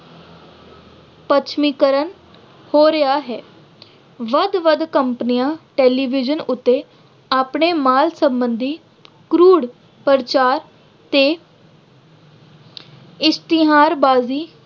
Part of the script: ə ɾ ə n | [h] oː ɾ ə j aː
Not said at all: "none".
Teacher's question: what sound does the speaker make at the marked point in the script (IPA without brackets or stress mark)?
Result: h